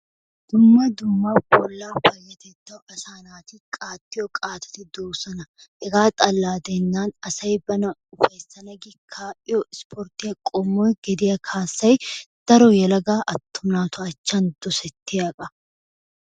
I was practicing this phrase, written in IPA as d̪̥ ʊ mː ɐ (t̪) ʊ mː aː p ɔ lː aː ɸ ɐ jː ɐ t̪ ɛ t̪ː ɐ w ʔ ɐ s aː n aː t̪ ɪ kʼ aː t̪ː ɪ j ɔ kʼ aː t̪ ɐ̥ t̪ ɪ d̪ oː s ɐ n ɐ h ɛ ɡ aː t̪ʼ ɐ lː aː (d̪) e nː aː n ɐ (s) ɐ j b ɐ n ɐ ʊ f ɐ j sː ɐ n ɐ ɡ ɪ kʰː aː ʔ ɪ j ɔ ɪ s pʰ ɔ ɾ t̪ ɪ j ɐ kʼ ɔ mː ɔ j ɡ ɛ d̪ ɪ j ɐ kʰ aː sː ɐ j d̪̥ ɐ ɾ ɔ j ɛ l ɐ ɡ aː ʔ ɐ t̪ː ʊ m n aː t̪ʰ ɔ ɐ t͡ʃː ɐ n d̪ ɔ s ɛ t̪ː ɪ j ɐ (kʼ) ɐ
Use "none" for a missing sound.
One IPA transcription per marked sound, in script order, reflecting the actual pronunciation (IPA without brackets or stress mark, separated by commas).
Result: d̪, d̪, s, kʼ